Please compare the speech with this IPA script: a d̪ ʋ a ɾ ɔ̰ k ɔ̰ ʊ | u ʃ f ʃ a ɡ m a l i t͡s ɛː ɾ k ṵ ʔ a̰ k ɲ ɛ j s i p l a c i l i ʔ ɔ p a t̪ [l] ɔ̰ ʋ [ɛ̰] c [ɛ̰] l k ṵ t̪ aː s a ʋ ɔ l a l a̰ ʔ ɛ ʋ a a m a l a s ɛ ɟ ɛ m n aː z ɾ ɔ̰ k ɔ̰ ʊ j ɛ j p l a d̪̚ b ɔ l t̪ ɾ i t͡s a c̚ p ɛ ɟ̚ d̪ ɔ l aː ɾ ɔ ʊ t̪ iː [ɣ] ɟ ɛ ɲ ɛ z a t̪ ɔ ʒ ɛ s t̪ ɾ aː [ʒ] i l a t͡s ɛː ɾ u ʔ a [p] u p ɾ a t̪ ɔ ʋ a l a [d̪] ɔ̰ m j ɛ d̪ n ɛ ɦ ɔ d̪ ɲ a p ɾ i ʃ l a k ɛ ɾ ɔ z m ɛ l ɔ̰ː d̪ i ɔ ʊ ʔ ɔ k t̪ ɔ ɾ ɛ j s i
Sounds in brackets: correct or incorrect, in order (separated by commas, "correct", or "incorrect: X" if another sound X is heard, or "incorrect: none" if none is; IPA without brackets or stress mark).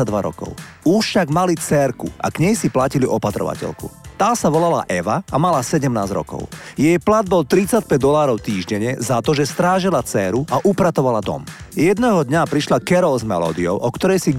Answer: incorrect: ɾ, incorrect: a̰, correct, incorrect: ʒ, correct, incorrect: ʔ, correct